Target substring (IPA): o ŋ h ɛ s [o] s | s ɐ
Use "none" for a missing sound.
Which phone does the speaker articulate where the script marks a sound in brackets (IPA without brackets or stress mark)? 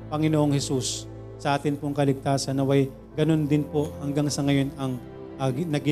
u